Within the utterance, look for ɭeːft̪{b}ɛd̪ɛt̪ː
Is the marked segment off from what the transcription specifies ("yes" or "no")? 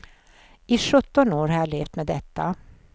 yes